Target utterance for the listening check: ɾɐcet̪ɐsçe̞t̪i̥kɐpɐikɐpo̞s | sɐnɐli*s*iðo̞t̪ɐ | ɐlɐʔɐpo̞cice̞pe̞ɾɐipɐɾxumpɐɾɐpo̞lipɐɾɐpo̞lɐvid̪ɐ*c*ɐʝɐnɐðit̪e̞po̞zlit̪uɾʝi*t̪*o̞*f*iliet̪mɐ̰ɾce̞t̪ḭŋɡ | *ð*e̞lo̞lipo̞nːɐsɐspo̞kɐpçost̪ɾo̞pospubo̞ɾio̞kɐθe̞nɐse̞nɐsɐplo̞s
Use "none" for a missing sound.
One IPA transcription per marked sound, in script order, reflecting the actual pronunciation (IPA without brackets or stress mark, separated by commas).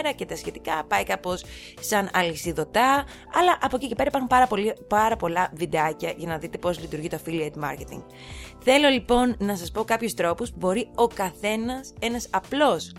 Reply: s, c, t̪, f, θ